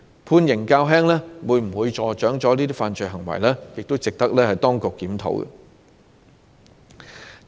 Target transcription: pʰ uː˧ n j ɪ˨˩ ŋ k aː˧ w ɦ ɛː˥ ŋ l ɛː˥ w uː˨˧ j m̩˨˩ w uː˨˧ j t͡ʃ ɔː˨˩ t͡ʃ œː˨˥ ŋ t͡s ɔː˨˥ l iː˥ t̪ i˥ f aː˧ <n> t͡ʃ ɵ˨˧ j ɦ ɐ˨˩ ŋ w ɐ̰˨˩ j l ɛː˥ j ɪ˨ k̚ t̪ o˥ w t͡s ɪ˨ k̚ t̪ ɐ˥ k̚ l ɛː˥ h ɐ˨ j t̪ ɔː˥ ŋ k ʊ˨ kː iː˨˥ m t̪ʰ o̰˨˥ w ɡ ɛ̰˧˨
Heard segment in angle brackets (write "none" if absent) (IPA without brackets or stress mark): n